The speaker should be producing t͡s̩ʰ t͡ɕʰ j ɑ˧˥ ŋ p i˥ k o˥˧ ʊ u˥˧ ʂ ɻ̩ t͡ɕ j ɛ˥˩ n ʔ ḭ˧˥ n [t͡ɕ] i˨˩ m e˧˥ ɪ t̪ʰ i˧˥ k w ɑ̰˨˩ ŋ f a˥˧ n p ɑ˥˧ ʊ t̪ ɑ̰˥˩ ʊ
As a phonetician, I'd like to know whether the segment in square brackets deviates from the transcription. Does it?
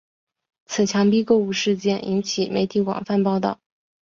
yes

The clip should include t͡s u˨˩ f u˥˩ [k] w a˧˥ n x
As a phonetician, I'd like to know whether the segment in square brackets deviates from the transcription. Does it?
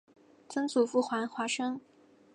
yes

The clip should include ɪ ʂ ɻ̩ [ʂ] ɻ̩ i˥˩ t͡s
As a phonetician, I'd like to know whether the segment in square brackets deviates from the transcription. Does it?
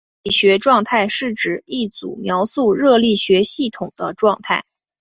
yes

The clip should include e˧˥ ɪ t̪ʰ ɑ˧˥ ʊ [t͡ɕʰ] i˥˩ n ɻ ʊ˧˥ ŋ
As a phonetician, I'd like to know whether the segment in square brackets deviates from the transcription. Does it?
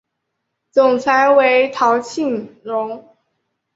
no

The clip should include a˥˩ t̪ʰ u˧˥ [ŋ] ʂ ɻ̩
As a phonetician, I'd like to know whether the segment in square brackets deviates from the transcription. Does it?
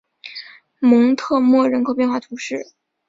yes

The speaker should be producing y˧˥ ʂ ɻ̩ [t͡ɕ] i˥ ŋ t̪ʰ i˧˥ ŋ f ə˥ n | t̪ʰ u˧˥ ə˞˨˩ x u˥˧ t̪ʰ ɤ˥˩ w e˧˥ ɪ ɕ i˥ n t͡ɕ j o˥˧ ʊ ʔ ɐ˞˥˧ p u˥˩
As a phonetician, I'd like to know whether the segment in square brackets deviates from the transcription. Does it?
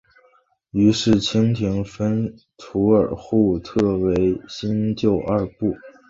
yes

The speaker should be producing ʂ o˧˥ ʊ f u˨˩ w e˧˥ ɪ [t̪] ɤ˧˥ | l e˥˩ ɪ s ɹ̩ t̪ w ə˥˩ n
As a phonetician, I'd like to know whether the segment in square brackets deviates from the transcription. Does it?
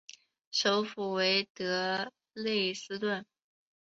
no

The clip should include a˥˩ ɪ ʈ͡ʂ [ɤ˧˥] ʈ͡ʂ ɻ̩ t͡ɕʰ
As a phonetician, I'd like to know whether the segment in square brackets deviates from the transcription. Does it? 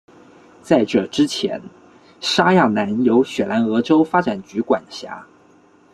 yes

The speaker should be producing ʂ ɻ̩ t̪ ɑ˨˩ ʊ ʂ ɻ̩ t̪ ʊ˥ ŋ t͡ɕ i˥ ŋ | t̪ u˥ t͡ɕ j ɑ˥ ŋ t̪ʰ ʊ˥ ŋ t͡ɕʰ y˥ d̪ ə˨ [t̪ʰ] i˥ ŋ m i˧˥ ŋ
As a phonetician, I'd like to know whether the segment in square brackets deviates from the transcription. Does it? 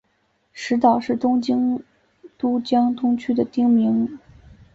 yes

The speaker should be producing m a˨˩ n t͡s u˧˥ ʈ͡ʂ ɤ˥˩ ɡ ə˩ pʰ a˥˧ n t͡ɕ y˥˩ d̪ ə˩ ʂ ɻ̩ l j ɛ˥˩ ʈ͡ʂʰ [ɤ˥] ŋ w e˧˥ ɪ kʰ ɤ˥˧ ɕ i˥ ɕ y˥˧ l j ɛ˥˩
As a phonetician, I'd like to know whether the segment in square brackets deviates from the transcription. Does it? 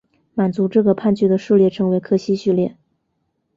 yes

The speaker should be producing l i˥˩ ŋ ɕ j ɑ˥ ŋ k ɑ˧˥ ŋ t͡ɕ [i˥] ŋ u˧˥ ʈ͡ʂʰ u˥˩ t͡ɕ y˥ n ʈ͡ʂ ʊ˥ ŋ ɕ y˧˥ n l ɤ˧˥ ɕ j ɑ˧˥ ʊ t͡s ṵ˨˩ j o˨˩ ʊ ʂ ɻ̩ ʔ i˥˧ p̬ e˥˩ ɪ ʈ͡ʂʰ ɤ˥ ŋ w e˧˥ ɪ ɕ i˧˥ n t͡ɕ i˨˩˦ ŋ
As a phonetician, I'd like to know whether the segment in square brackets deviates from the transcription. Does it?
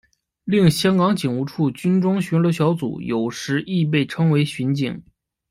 yes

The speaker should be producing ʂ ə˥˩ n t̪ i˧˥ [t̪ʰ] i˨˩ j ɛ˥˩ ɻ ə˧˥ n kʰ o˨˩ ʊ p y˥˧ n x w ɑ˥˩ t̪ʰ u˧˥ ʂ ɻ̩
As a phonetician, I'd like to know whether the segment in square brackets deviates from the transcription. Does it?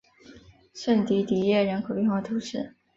yes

